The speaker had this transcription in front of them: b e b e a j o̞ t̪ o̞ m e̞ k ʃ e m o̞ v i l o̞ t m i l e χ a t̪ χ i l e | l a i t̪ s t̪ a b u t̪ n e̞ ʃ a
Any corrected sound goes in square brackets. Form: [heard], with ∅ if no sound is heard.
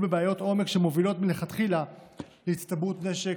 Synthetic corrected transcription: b e b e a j o̞ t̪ o̞ m e̞ k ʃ e m o̞ v i l o̞ t m i l e χ a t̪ χ i l [a] | l [e] i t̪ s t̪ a b u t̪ n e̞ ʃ [e]